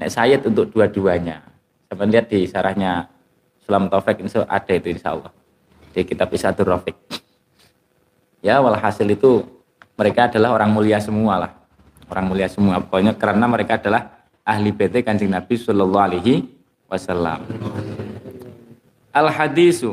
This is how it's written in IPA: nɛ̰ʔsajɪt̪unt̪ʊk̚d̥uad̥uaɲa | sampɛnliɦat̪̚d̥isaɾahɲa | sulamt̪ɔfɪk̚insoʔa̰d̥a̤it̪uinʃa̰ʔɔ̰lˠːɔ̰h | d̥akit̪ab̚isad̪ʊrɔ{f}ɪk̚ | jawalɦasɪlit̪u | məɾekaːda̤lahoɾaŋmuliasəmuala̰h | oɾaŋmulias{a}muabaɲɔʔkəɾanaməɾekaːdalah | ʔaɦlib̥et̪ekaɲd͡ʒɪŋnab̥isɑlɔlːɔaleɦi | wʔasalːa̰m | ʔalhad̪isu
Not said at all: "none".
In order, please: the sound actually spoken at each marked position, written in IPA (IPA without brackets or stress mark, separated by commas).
f, ə